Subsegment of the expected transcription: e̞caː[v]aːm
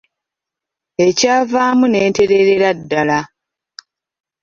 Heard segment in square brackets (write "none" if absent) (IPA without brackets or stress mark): v